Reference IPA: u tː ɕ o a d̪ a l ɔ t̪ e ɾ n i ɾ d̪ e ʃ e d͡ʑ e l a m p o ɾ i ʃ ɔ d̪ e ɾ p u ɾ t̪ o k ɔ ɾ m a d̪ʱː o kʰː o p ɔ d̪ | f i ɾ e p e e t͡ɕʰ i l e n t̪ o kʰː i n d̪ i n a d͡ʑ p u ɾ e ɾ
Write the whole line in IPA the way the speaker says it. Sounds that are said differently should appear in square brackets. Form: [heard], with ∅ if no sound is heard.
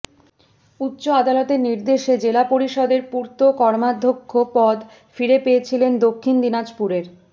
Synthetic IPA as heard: u tː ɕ o a d̪ a l ɔ t̪ e ɾ n i ɾ d̪ e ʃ e d͡ʑ e l a [∅] p o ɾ i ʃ ɔ d̪ e ɾ p u ɾ t̪ o k ɔ ɾ m a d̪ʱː o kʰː o p ɔ d̪ | f i ɾ e p e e t͡ɕʰ i l e n [d̪] o kʰː i n d̪ i n a d͡ʑ p u ɾ e ɾ